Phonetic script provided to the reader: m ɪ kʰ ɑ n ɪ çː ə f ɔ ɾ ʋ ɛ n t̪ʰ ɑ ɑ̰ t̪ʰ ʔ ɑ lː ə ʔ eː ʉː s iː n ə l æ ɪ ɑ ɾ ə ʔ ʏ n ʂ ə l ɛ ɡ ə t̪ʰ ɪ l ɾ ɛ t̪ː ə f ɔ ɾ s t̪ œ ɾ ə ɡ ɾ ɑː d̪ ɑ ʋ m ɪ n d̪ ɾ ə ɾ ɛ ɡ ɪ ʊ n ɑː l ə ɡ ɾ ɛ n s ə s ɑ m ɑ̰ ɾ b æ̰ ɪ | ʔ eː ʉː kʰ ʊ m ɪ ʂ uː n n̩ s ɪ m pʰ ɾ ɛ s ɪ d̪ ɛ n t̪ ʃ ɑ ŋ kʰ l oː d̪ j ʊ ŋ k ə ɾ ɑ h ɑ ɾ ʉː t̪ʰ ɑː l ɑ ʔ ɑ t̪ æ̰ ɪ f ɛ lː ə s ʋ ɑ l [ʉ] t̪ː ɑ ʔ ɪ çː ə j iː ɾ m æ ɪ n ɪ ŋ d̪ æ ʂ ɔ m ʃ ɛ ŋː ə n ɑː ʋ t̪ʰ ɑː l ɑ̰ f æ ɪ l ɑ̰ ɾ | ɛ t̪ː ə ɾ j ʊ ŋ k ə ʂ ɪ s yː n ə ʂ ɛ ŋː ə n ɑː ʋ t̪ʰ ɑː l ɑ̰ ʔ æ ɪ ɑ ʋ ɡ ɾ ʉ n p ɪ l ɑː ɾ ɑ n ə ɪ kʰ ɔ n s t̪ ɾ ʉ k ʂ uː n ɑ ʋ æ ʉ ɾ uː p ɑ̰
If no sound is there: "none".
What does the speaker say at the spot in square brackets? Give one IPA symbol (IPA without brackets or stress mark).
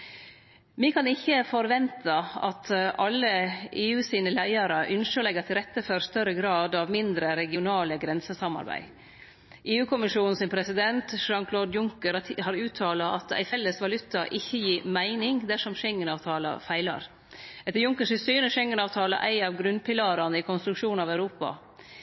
ʉ